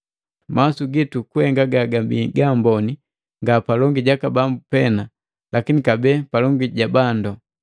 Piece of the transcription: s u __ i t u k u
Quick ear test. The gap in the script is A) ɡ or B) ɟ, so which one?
A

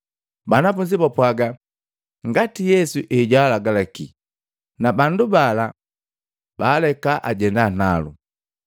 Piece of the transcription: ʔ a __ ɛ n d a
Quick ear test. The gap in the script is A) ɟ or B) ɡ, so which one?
A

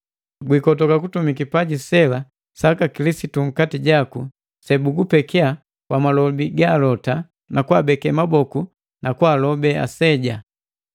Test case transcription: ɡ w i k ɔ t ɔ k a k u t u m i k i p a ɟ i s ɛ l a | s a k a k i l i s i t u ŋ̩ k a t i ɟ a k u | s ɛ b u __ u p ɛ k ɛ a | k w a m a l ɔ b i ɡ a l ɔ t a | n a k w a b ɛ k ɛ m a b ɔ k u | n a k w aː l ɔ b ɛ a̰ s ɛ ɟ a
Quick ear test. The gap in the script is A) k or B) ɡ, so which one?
B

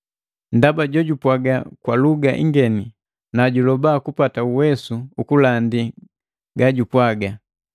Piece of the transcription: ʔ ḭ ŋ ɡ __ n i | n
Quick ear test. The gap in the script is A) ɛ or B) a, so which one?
A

